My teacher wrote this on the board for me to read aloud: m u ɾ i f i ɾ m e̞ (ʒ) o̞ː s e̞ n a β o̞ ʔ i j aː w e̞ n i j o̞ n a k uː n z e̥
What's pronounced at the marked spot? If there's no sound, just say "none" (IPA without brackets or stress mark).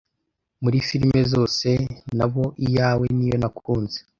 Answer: z